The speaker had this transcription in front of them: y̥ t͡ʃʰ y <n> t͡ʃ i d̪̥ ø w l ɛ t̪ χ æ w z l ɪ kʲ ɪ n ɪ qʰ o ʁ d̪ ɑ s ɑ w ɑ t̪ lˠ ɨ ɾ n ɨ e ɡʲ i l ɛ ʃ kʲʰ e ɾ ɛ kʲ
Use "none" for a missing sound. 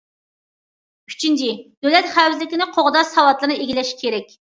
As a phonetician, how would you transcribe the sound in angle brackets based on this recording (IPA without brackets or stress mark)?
n